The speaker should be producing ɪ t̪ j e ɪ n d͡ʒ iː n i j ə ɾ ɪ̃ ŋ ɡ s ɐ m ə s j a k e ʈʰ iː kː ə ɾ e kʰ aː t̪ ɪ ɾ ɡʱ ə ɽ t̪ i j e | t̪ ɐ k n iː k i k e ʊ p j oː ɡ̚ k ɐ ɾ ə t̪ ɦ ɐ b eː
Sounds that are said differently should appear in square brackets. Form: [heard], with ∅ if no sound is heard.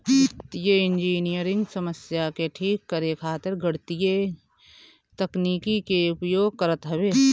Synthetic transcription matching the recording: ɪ t̪ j e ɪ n d͡ʒ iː n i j ə ɾ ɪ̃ ŋ ɡ s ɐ m ə s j a k e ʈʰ iː kː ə ɾ e kʰ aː t̪ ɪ ɾ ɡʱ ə ɽ t̪ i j e | t̪ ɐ k n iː k i k e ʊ p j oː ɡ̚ k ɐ ɾ ə t̪ ɦ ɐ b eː